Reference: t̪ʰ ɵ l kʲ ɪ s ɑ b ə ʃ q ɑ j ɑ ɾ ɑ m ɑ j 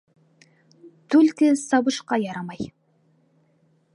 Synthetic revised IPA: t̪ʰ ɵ l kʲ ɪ s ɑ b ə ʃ q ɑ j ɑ ɾ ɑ m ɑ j